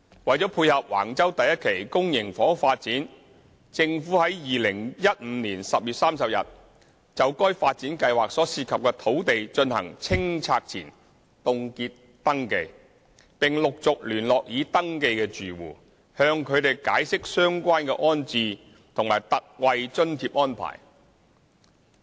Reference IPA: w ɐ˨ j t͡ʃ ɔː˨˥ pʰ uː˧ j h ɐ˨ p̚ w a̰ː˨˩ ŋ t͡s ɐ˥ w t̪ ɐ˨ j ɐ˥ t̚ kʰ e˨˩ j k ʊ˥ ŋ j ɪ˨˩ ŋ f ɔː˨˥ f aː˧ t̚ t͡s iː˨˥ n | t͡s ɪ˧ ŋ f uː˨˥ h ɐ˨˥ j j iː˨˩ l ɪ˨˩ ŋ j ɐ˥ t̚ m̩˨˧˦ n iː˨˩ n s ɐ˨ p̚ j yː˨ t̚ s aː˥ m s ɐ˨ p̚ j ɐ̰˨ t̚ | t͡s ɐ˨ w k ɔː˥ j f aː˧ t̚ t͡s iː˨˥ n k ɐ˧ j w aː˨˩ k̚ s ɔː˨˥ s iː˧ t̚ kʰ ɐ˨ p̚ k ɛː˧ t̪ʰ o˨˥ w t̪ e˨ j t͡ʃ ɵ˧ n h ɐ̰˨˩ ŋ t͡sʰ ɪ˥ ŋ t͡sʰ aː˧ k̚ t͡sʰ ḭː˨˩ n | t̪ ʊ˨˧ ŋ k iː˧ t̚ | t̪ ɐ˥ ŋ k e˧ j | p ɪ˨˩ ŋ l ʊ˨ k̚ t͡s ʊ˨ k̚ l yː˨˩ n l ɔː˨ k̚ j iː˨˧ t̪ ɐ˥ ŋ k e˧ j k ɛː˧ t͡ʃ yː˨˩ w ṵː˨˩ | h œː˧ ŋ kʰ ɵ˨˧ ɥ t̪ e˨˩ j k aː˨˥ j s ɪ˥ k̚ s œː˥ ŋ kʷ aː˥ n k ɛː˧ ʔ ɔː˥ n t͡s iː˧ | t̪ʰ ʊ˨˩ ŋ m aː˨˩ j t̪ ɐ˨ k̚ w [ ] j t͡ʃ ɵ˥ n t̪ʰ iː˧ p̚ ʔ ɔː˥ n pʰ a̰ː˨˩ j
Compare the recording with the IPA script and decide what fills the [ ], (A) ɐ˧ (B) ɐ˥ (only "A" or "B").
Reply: A